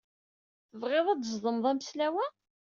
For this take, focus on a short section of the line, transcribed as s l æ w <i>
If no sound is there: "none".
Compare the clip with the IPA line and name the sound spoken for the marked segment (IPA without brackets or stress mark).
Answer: æ